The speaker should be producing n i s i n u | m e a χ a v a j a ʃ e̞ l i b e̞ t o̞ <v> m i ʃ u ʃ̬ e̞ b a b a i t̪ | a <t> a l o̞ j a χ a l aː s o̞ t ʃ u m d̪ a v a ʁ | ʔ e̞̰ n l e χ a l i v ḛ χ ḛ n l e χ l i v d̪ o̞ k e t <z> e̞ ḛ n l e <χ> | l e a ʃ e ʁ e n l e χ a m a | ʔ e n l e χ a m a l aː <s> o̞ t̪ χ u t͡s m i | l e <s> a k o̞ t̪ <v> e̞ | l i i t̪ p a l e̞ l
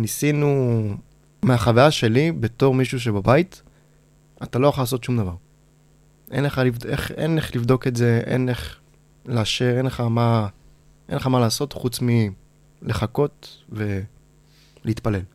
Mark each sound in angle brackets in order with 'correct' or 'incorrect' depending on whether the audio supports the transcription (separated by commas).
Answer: incorrect, correct, correct, correct, correct, incorrect, correct